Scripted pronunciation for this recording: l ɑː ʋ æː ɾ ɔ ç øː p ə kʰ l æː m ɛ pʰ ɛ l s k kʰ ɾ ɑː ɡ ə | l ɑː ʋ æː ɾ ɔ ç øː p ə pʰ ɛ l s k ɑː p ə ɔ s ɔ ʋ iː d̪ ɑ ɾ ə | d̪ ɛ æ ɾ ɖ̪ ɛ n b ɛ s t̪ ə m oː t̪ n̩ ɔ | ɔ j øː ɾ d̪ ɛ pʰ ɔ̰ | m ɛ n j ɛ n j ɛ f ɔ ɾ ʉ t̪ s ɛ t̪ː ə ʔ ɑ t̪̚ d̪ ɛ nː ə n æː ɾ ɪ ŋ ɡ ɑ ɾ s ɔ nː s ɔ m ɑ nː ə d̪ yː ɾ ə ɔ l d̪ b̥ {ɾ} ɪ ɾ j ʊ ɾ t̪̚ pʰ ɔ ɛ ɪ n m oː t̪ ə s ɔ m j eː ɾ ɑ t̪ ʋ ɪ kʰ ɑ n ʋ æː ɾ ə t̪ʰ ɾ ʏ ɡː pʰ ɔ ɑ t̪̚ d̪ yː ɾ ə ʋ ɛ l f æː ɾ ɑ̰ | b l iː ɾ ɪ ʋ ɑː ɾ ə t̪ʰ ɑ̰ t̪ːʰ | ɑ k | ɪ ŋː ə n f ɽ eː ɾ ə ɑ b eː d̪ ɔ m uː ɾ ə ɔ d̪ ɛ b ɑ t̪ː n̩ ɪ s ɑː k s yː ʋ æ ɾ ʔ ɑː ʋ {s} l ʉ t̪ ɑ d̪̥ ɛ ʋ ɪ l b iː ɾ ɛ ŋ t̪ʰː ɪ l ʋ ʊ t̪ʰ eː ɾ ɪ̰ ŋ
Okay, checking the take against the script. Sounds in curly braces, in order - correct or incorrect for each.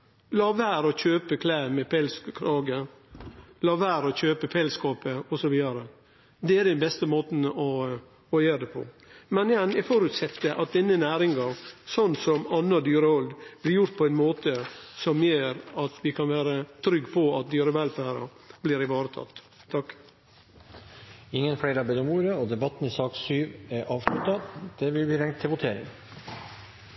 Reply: incorrect, incorrect

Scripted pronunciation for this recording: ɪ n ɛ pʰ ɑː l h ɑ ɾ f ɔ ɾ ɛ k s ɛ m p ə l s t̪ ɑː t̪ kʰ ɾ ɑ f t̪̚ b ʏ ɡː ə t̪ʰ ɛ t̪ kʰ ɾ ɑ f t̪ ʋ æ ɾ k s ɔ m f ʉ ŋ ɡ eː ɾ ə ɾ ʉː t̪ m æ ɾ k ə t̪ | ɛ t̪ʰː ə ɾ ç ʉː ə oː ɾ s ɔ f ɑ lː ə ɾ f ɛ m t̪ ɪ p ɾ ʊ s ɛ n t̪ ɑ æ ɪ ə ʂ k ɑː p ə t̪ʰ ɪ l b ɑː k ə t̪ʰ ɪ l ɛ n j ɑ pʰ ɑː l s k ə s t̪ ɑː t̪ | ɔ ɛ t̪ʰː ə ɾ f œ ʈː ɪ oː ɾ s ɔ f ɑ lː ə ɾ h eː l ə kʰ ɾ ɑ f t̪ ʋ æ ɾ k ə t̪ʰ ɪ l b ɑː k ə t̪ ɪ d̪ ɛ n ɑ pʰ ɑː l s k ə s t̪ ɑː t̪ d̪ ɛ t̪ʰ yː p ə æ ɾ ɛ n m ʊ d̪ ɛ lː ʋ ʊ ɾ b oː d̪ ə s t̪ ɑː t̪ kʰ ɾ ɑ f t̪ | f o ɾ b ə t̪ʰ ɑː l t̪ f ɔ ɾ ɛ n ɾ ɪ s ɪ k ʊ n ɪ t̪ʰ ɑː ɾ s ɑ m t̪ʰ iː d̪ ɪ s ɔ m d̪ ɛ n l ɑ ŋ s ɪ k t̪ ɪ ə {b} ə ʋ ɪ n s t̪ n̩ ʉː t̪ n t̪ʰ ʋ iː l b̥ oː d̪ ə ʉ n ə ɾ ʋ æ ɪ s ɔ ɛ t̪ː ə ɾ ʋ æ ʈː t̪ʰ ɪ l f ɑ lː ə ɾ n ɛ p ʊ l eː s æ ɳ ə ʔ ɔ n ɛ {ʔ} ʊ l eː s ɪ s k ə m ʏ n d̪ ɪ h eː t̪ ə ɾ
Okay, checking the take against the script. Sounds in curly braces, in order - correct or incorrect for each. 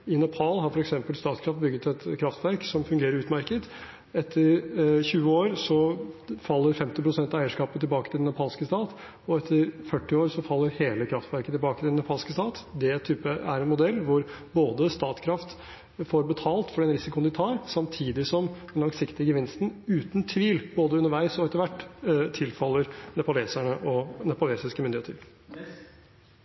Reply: incorrect, incorrect

